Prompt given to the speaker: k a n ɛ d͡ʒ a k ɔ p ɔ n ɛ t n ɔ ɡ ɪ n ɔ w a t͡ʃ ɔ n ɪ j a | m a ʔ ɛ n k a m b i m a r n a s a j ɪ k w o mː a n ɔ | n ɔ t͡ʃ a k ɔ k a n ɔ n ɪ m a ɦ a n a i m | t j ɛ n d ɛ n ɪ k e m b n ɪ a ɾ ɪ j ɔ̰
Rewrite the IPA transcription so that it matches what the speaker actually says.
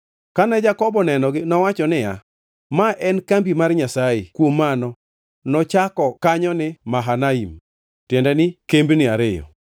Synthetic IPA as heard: k a n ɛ d͡ʒ a k ɔ b ɔ n ɛ n ɔ ɡ ɪ n ɔ w a t͡ʃ ɔ n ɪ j a | m a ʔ ɛ n k a m b i m a r ɲ a s a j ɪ k w o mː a n ɔ | n ɔ t͡ʃ a k ɔ k a ɲ ɔ n ɪ m a ɦ a n a i m | t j ɛ n d ɛ n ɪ k e m b n ɪ a ɾ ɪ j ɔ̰